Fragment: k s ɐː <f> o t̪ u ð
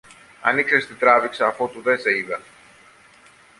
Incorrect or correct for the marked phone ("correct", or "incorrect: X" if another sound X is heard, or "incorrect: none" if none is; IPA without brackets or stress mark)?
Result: correct